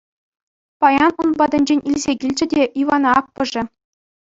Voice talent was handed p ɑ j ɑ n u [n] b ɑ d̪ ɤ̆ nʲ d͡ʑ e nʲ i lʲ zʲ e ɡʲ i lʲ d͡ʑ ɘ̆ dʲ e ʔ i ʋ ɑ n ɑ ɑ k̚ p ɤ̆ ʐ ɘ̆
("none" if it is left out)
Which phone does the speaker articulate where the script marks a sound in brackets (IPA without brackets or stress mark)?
n